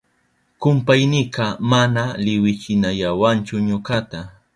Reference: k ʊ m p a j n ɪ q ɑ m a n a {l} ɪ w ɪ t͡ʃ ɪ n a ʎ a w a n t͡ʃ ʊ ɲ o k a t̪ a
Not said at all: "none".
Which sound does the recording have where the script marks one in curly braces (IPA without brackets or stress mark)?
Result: l